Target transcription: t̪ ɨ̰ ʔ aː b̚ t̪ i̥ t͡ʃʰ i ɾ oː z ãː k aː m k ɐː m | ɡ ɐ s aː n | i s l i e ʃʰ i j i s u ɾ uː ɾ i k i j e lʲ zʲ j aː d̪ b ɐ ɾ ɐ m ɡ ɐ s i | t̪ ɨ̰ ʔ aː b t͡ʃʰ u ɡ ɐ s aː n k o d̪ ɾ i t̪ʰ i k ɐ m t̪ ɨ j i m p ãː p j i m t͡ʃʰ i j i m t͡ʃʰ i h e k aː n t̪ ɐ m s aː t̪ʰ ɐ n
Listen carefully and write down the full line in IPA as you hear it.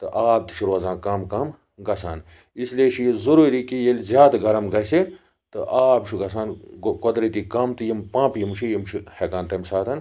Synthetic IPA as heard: t̪ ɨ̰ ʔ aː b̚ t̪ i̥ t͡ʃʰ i ɾ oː z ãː k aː m k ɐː m | ɡ ɐ s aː n | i s l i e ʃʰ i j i z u ɾ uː ɾ i k i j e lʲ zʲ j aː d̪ ɡ ɐ ɾ ɐ m ɡ ɐ s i | t̪ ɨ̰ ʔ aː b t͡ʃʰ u ɡ ɐ s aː n k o d̪ ɾ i t̪ i k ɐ m t̪ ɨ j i m p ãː p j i m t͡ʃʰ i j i m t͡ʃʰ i h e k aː n t̪ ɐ m s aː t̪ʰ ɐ n